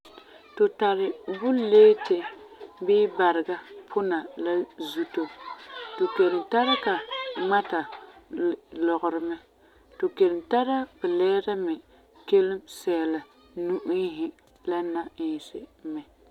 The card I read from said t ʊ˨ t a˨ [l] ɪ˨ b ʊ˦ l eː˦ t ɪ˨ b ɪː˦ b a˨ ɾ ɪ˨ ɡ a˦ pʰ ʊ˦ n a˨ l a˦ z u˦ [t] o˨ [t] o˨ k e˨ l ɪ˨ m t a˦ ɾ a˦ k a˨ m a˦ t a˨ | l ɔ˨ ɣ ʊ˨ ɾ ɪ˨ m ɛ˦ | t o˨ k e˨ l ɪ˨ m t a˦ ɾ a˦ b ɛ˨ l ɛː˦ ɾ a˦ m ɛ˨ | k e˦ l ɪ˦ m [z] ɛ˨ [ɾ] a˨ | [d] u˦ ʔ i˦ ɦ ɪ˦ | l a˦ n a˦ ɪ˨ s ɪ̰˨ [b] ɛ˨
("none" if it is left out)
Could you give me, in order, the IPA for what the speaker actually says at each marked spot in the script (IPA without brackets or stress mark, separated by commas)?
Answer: ɾ, t, t, s, l, n, m